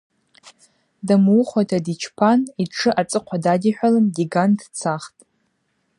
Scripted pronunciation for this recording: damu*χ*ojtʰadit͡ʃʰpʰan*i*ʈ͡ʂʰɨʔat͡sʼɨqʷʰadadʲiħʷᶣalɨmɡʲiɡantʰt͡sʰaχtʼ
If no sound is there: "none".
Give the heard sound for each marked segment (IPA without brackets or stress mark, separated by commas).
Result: χ, i